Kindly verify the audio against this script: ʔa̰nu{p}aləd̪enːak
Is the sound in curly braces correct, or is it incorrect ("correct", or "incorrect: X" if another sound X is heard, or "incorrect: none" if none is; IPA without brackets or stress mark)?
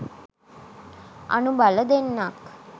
incorrect: b